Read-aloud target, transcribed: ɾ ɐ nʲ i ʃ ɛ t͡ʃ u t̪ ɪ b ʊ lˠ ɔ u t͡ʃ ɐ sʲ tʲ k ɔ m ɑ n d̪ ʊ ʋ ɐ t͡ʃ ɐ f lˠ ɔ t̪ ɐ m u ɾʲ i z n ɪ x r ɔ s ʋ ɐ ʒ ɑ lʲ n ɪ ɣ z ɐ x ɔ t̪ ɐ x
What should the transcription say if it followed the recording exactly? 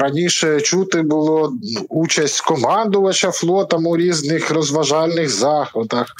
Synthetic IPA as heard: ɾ ɐ nʲ i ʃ ɛ t͡ʃ u t̪ ɪ b ʊ lˠ ɔ u t͡ʃ ɐ sʲ tʲ k ɔ m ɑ n d̪ ʊ ʋ ɐ t͡ʃ ɐ f lˠ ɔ t̪ ɐ m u ɾʲ i z n ɪ x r ɔ z ʋ ɐ ʒ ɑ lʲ n ɪ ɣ z ɑ x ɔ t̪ ɐ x